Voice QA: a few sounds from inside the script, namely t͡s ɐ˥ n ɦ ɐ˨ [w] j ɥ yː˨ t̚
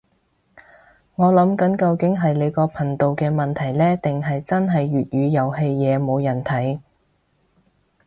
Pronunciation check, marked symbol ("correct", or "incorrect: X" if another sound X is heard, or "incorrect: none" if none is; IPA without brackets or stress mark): incorrect: none